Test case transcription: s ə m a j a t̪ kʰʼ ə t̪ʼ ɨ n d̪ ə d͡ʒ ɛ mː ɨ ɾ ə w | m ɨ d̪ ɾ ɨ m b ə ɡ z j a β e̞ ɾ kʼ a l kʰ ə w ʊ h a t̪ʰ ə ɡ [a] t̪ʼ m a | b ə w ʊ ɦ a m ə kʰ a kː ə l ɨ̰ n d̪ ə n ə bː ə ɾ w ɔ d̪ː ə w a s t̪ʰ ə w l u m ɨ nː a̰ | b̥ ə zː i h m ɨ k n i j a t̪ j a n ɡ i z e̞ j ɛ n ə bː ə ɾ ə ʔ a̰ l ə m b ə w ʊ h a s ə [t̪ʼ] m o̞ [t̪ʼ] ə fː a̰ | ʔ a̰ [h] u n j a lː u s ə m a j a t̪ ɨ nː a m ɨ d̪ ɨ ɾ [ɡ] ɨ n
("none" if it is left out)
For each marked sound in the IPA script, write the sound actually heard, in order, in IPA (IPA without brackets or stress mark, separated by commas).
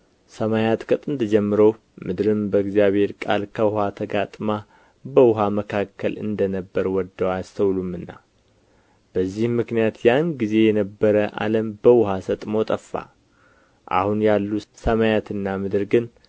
a, t̪ʼ, t̪ʼ, h, ɡ